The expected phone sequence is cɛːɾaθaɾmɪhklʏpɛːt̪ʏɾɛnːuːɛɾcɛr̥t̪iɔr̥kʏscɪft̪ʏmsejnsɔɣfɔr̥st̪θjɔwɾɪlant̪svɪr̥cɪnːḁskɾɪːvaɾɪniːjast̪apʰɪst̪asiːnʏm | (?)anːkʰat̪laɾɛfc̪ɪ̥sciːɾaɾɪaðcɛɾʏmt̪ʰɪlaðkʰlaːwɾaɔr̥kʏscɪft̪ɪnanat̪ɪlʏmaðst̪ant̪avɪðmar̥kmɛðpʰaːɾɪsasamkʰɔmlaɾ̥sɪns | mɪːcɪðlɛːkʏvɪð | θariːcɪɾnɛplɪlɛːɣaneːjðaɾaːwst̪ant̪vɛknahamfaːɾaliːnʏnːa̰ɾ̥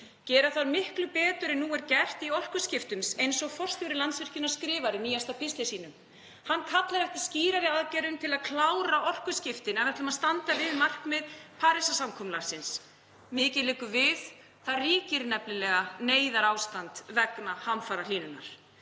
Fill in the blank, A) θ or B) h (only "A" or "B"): B